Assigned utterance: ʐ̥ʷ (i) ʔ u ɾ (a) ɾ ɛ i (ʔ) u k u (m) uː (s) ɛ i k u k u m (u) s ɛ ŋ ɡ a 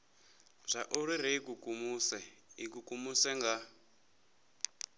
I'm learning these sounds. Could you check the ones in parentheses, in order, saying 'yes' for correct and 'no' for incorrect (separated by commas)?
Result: no, no, no, yes, yes, yes